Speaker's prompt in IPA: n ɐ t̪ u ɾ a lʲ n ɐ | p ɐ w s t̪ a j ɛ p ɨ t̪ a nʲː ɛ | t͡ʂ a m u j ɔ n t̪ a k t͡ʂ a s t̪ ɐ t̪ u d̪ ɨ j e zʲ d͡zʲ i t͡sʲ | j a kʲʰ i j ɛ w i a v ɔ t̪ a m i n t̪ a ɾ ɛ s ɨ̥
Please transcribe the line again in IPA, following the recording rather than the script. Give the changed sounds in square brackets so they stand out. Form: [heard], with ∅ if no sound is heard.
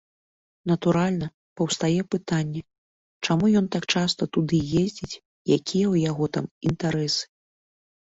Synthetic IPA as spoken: n ɐ t̪ u ɾ a lʲ n ɐ | p ɐ w s t̪ a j ɛ p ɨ t̪ a nʲː ɛ | t͡ʂ a m u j ɔ n t̪ a k t͡ʂ a s t̪ ɐ t̪ u d̪ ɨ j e zʲ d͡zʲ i t͡sʲ | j a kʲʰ i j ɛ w [j] a [ɣ] ɔ t̪ a m i n t̪ a ɾ ɛ s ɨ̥